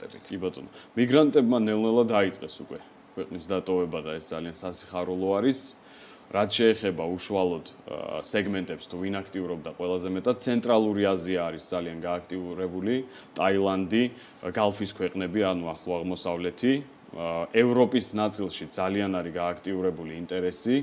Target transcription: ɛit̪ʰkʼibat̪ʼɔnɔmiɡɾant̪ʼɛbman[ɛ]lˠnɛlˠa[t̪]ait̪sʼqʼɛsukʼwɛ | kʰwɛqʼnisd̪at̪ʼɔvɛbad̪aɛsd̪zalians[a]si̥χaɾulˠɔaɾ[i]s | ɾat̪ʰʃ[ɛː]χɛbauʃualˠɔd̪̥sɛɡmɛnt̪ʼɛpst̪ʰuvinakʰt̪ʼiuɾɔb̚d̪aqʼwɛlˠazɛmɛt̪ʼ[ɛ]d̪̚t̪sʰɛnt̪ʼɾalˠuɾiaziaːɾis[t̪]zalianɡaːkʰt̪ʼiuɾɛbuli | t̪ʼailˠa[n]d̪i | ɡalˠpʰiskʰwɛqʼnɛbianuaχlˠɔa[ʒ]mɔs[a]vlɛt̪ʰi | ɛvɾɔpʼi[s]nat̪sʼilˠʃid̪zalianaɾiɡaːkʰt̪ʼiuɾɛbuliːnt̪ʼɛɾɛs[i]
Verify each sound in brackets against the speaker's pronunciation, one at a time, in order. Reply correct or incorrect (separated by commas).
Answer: correct, incorrect, correct, correct, correct, incorrect, incorrect, correct, incorrect, correct, correct, correct